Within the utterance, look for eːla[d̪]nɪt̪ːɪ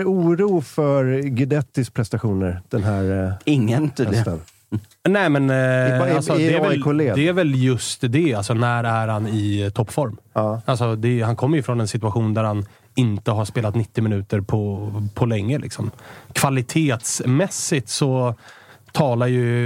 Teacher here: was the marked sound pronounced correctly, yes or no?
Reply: no